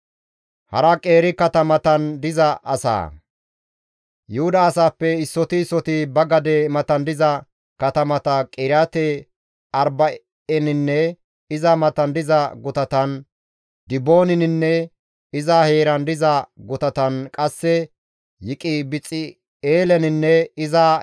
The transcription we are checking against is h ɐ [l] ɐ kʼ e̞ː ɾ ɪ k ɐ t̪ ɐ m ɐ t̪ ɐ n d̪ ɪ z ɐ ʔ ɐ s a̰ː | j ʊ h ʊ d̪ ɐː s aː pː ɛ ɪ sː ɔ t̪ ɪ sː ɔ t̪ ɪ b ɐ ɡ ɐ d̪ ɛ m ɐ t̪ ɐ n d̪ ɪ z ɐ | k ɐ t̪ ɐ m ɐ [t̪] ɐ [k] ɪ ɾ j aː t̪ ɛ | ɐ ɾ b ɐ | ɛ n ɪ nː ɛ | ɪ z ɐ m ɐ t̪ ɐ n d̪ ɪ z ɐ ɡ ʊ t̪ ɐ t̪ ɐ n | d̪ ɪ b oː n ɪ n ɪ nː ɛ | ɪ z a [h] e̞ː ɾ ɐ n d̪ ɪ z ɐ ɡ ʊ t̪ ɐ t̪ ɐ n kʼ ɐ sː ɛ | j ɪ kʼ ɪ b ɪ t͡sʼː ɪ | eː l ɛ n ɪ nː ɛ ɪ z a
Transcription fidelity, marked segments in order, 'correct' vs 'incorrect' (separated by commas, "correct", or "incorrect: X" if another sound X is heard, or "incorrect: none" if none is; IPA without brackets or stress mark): incorrect: ɾ, correct, incorrect: kʼ, correct